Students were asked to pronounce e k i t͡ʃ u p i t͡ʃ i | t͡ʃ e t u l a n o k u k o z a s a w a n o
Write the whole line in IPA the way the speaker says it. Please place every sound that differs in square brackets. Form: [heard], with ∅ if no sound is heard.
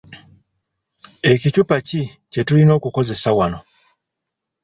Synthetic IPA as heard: e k i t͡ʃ u p [a] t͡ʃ i | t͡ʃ e t u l [i] n o k u k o z [e] s a w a n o